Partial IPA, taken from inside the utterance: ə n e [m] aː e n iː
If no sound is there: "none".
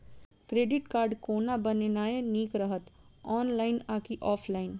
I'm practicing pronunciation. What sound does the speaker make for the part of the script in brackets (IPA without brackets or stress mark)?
n